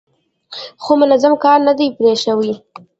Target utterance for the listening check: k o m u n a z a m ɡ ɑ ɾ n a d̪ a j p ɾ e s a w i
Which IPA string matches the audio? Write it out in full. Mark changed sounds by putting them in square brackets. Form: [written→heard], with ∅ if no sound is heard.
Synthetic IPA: [k→x] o m [u→ʊ] n a z a m [ɡ→k] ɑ ɾ n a d̪ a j p ɾ e [s→ʃ] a w i